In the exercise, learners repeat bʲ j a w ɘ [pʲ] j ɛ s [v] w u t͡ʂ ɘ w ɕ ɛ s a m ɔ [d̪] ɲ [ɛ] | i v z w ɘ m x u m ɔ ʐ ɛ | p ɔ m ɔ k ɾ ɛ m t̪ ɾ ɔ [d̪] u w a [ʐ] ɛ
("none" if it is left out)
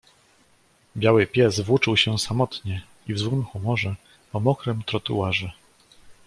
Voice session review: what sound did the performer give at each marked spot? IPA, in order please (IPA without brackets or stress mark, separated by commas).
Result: pʲ, v, t̪, ɛ, t̪, ʐ